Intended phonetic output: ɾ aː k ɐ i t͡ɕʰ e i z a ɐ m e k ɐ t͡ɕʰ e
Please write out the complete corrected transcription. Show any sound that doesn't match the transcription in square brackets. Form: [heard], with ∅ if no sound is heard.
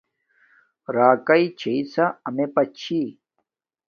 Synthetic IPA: ɾ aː k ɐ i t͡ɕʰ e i [s] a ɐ m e [p] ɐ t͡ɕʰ [i]